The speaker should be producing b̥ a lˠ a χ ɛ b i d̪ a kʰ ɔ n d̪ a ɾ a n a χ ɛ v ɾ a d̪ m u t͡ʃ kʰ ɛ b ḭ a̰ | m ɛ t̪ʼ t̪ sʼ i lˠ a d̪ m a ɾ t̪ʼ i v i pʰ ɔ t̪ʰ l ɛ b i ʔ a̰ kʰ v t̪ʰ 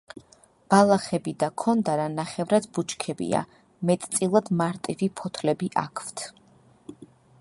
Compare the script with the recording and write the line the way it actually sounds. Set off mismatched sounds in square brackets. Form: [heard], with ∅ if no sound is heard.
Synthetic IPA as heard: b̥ a lˠ a χ ɛ b i d̪ a kʰ ɔ n d̪ a ɾ a n a χ ɛ v ɾ a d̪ [b] u t͡ʃ kʰ ɛ b ḭ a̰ | m ɛ t̪ʼ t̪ sʼ i lˠ a d̪ m a ɾ t̪ʼ i v i pʰ ɔ t̪ʰ l ɛ b i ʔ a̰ kʰ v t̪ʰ